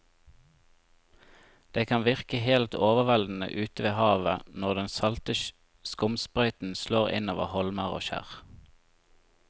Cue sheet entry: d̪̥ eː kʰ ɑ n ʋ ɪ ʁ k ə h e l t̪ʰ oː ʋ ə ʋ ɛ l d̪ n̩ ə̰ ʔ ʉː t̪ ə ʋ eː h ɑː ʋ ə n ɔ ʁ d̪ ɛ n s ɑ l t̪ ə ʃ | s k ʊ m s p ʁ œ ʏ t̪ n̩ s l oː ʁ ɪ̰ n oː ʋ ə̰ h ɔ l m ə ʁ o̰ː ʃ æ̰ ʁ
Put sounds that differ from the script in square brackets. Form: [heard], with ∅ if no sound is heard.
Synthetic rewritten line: d̪̥ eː kʰ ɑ n ʋ ɪ ʁ k ə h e l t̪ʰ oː ʋ ə ʋ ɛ l d̪ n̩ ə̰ ʔ ʉː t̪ ə ʋ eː h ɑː ʋ ə n ɔ ʁ d̪ ɛ n s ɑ l t̪ ə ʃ | s k ʊ m s p ʁ œ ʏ t̪ n̩ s l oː ʁ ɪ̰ n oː ʋ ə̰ h ɔ l m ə ʁ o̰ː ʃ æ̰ ʁ